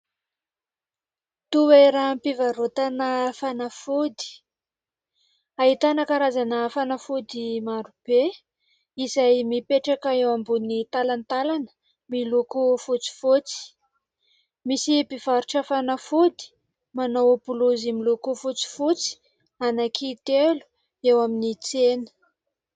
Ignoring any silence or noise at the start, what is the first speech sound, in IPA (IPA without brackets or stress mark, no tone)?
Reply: t̪